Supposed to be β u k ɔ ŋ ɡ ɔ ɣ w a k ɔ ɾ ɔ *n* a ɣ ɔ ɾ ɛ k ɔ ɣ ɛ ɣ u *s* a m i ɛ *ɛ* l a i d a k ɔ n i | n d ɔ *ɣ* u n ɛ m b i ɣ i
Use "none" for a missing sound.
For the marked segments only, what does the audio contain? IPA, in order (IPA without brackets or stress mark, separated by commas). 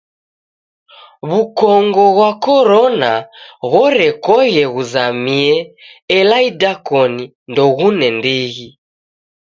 n, z, ɛ, ɣ